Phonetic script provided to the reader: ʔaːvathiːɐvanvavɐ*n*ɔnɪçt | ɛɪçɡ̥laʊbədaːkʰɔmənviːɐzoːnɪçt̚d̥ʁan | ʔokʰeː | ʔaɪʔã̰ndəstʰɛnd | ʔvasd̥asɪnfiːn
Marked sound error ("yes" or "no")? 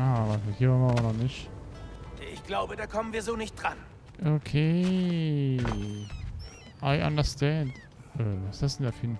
no